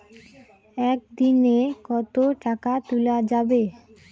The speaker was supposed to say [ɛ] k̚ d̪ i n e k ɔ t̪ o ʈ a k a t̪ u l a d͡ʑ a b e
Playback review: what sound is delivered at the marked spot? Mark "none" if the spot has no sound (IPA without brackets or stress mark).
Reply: ɛ